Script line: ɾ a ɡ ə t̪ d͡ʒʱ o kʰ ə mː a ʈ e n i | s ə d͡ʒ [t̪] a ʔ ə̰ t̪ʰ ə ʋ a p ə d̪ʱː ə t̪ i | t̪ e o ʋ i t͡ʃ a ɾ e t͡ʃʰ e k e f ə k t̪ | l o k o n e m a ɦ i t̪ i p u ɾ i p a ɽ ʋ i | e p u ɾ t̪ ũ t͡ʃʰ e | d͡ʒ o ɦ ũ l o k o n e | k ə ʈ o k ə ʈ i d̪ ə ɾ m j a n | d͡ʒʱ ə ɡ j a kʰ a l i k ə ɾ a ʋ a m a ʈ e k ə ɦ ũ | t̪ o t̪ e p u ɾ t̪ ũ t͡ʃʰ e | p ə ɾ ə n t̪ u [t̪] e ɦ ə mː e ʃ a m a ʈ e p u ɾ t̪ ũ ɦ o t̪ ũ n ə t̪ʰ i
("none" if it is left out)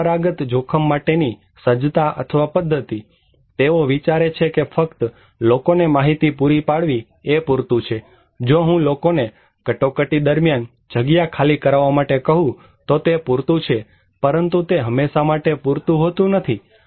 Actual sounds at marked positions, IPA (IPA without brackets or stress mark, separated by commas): t̪, t̪